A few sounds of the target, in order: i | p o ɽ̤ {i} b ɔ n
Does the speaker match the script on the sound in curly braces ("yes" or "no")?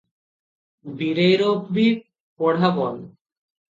no